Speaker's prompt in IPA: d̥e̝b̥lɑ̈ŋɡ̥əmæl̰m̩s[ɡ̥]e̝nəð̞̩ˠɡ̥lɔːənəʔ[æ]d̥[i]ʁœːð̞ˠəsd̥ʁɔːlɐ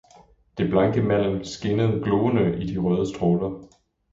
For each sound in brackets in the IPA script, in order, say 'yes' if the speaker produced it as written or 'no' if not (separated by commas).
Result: yes, no, yes